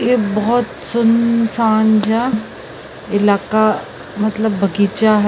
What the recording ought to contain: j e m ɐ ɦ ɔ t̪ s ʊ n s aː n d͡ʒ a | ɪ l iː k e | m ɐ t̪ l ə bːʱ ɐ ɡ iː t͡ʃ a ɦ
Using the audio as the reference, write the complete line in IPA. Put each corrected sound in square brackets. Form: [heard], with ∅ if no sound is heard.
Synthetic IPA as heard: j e [b] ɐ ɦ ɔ t̪ s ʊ n s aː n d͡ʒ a | ɪ l [aː] k [a] | m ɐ t̪ l ə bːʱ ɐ ɡ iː t͡ʃ a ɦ